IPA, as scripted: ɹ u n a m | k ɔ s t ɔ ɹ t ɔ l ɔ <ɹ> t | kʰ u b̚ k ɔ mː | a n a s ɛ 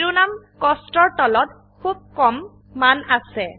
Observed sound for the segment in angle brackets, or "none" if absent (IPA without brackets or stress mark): none